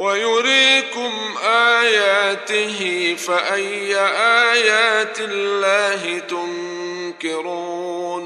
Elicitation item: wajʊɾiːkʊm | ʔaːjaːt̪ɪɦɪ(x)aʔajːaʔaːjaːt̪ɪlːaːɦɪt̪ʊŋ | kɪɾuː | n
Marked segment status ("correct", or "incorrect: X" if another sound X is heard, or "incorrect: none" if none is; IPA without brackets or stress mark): incorrect: f